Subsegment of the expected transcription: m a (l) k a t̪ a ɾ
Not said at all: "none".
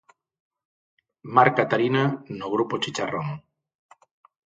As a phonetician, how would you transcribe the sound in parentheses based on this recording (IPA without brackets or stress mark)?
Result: ɾ